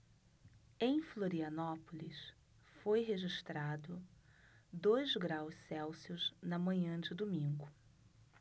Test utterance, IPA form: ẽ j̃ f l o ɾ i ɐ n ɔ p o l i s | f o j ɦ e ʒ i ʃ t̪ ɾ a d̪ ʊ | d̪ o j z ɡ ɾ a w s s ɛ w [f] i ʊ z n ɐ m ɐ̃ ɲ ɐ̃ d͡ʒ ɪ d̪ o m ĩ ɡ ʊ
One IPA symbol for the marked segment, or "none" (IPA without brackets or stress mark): s